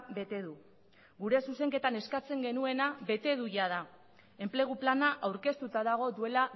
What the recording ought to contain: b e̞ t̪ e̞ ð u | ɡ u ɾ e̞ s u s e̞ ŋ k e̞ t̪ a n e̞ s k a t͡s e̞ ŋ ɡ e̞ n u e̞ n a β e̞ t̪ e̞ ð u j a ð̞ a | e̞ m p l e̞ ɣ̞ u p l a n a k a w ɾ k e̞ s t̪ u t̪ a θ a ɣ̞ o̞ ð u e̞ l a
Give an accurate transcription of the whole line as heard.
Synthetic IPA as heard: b e̞ t̪ e̞ ð u | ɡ u ɾ e̞ s u s e̞ ŋ k e̞ t̪ a n e̞ s k a t͡s e̞ ŋ ɡ e̞ n u e̞ n a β e̞ t̪ e̞ ð u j a ð̞ a | e̞ m p l e̞ ɣ̞ u p l a n a ʔ a w ɾ k e̞ s t̪ u t̪ a ð a ɣ̞ o̞ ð u e̞ l a

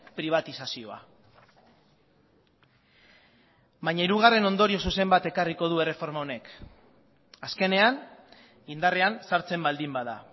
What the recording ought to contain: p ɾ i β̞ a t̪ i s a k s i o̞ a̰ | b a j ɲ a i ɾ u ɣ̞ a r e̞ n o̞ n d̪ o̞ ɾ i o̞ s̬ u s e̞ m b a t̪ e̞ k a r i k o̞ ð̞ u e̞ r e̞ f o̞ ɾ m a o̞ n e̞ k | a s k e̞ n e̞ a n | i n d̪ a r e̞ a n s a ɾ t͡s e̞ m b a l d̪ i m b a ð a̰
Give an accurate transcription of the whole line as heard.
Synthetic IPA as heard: p ɾ i β̞ a t̪ i s a s i o̞ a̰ | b a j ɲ a i ɾ u ɣ̞ a r e̞ n o̞ n d̪ o̞ ɾ i o̞ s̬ u s e̞ m b a t̪ e̞ k a r i k o̞ ð̞ u e̞ r e̞ f o̞ ɾ m a o̞ n e̞ k | a s k e̞ n e̞ a n | i n d̪ a r e̞ a n s a ɾ t͡s e̞ m b a l d̪ i m b a ð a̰

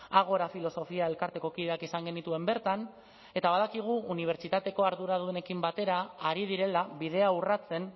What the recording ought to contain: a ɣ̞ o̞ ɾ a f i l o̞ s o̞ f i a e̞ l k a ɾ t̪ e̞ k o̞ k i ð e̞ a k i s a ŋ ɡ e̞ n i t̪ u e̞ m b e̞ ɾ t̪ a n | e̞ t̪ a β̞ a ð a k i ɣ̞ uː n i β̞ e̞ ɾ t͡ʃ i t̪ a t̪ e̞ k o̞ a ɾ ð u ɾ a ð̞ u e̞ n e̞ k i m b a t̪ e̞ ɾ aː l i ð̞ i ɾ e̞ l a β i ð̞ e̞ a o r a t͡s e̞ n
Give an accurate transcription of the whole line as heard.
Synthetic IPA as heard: a ɣ̞ o̞ ɾ a f i l o̞ s o̞ f i a e̞ l k a ɾ t̪ e̞ k o̞ k i ð e̞ a k i s a ŋ ɡ e̞ n i t̪ u e̞ m b e̞ ɾ t̪ a n | e̞ t̪ a β̞ a ð a k i ɣ̞ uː n i β̞ e̞ ɾ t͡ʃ i t̪ a t̪ e̞ k o̞ a ɾ ð u ɾ a ð̞ u e̞ n e̞ k i m b a t̪ e̞ ɾ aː ɾ i ð̞ i ɾ e̞ l a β i ð̞ e̞ a u r a t͡s e̞ n

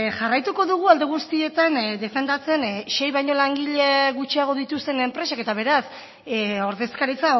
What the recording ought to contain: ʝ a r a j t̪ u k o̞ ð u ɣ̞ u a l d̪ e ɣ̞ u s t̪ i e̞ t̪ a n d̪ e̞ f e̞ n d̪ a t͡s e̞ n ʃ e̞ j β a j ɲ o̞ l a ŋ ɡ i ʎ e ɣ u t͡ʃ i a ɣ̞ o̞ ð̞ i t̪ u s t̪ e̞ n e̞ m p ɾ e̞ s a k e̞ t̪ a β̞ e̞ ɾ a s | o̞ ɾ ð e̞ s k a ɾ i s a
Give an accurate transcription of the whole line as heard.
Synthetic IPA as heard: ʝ a r a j t̪ u k o̞ ð u ɣ̞ u a l d̪ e ɣ̞ u s t̪ i e̞ t̪ a n d̪ e̞ f e̞ n d̪ a t͡s e̞ n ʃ e̞ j β a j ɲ o̞ l a ŋ ɡ i ʎ e ɣ u t͡ʃ i a ɣ̞ o̞ ð̞ i t̪ u s t̪ e̞ n e̞ m p ɾ e̞ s a k e̞ t̪ a β̞ e̞ ɾ a s | o̞ ɾ ð e̞ s k a ɾ i t͡s a

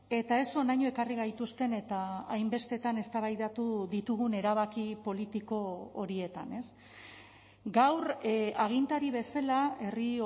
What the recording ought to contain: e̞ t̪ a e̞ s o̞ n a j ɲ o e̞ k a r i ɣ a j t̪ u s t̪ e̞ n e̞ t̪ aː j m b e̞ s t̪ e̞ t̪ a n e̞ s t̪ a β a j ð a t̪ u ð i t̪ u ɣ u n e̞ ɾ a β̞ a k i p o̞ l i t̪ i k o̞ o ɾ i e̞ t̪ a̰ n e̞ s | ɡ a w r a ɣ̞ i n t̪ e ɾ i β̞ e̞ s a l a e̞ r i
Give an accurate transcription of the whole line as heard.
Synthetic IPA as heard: e̞ t̪ a e̞ s o̞ n a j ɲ o e̞ k a r i ɣ a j t̪ u s t̪ e̞ n e̞ t̪ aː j m b e̞ s t̪ e̞ t̪ a n e̞ s t̪ a β a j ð a t̪ u ð i t̪ u ɣ u n e̞ ɾ a β̞ a k i p o̞ l i t̪ i k o̞ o ɾ i e̞ t̪ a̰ n e̞ s | ɡ a w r a ɣ̞ i n t̪ a ɾ i β̞ e̞ s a l a e̞ r i

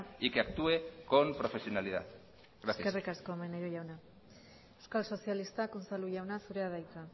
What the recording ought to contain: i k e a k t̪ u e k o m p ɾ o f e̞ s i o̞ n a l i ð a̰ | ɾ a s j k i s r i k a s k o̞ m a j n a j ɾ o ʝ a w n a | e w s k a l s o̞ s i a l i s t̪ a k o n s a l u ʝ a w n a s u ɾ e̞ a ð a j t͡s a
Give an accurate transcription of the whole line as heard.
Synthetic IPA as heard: i k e a k t̪ u e k o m p ɾ o f e̞ s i o̞ n a l i ð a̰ | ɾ a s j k e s r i k a s k o̞ m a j n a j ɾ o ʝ a w n a | e w s k a l s o̞ s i a l i s t̪ a k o n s a l u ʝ a w n a s u ɾ e̞ a ð a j t͡s a

